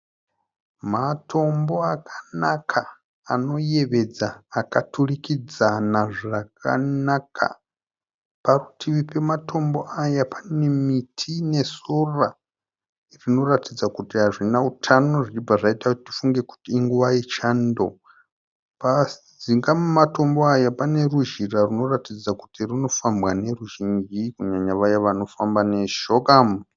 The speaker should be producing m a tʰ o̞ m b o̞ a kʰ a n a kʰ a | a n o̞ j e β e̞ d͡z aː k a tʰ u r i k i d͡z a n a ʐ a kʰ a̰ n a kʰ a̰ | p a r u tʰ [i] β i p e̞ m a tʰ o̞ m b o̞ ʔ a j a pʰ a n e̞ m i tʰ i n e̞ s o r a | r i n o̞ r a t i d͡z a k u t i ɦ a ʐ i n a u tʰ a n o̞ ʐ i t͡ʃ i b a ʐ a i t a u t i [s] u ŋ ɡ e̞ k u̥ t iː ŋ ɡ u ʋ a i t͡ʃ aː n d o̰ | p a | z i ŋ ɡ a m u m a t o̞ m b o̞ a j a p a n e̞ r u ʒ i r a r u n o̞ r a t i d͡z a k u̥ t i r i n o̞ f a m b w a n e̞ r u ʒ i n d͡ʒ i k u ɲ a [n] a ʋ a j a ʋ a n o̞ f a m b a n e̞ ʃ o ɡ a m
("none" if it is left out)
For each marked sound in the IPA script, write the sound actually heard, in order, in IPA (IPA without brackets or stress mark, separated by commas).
i, f, ɲ